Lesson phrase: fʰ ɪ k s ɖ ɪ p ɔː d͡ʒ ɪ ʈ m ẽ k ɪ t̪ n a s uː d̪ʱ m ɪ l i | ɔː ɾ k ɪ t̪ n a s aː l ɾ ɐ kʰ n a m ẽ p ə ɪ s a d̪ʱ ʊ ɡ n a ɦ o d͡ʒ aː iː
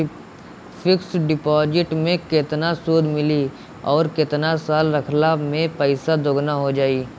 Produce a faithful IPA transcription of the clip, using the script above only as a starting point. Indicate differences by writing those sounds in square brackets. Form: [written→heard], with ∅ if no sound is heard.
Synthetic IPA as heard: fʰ ɪ k s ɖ ɪ p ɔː d͡ʒ ɪ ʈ m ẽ k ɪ t̪ n a s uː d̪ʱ m ɪ l i | ɔː ɾ k ɪ t̪ n a s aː l ɾ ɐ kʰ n a m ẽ p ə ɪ s a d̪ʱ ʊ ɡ n a ɦ o d͡ʒ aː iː